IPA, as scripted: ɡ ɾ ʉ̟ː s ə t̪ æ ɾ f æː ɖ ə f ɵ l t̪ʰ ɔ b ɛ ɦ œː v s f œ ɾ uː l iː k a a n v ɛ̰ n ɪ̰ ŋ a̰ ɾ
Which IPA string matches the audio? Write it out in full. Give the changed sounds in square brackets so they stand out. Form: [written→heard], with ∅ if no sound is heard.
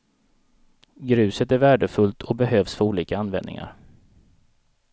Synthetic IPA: ɡ ɾ ʉ̟ː s ə t̪ æ ɾ [f→v] æː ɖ ə f ɵ l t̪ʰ ɔ b ɛ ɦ [œː→øː] v s f œ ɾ uː l iː k a a n v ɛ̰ n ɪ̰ ŋ a̰ ɾ